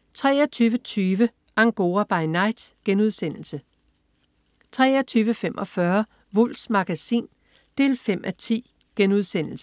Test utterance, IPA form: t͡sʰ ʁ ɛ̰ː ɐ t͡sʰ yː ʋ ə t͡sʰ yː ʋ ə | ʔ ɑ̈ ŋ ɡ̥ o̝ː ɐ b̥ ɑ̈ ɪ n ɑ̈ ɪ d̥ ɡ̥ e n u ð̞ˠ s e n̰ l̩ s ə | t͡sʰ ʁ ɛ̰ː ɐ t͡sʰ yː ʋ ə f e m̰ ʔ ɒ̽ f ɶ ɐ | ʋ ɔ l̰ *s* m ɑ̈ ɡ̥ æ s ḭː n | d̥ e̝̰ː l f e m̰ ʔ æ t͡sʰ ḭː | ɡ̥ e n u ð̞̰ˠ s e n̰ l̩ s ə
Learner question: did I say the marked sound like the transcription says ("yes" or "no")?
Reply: yes